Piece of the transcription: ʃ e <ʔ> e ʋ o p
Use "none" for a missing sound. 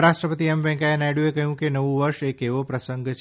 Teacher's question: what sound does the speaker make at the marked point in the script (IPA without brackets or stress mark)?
k